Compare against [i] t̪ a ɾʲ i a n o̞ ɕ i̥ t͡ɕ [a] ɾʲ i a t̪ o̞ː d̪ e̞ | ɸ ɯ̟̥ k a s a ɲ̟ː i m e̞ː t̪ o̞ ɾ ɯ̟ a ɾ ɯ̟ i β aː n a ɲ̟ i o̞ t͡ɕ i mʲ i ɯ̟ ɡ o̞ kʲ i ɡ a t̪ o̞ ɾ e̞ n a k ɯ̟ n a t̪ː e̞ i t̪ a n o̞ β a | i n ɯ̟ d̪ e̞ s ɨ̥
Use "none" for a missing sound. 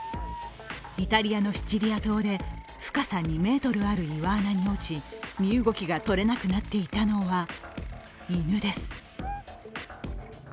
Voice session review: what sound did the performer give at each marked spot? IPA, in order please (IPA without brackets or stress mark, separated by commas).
i, i